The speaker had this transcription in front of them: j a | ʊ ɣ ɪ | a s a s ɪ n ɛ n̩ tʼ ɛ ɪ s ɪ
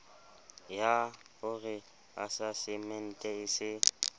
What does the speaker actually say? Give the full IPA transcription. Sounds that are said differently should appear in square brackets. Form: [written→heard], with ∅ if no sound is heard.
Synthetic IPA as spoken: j a | ʊ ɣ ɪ | a s a s ɪ [n→m] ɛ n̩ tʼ ɛ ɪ s ɪ